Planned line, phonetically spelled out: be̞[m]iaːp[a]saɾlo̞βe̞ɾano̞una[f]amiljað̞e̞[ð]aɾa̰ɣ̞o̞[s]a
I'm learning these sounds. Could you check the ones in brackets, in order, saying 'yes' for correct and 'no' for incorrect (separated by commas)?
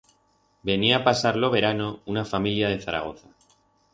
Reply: no, yes, yes, no, no